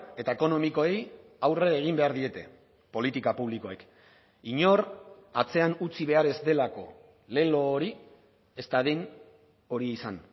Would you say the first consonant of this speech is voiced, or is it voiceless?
voiceless